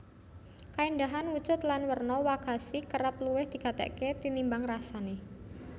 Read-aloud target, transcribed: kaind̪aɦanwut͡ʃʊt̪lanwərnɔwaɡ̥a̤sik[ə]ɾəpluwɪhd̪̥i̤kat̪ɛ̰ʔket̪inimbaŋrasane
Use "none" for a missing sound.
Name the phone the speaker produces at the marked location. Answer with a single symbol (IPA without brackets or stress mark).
ə